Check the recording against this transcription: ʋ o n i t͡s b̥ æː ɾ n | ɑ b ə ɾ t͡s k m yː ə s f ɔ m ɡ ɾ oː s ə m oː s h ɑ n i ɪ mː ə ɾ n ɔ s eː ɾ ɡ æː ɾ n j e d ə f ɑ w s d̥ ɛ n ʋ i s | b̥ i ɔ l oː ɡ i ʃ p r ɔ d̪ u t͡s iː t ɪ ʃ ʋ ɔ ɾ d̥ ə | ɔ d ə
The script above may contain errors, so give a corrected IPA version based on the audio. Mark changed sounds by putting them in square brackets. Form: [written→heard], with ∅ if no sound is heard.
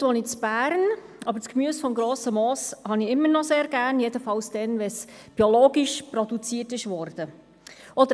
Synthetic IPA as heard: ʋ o n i t͡s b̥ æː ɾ n | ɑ b ə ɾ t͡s k m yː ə s f ɔ m ɡ ɾ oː s ə m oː s h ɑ n i ɪ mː ə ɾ n ɔ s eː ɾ ɡ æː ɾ n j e d ə f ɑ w s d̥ ɛ n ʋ [i→ɛ] s | b̥ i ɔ l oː ɡ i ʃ p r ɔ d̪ u t͡s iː t ɪ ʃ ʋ ɔ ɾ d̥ ə | ɔ d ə